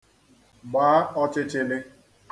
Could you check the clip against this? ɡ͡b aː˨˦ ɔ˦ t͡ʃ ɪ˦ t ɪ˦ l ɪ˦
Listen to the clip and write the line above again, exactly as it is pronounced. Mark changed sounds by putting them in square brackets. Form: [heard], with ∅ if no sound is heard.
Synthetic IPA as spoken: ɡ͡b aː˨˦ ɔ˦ t͡ʃ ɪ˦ [t͡ʃ] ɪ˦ l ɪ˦